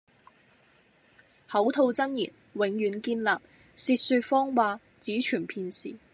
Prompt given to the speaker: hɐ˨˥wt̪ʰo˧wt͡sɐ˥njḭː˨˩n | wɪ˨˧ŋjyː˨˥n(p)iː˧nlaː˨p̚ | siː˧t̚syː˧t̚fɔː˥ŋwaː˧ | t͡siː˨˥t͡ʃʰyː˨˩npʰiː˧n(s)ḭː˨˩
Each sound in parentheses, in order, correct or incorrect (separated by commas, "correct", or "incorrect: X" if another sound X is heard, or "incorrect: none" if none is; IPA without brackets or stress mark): incorrect: k, correct